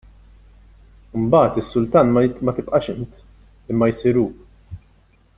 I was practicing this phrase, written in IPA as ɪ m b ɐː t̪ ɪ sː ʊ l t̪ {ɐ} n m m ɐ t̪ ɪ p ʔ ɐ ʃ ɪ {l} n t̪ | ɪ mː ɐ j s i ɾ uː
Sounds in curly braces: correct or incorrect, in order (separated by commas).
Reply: incorrect, incorrect